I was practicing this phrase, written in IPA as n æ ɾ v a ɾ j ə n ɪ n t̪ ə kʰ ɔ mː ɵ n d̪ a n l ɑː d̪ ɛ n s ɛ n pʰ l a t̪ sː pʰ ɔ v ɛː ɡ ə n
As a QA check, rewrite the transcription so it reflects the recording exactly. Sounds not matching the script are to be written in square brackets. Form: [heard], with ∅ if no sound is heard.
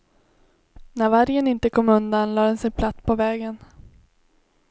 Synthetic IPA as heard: n æ ɾ v a ɾ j ə n ɪ n t̪ ə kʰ ɔ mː ɵ n d̪ a n l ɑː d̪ ɛ n s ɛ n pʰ l a t̪ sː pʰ ɔ v ɛː ɡ ə n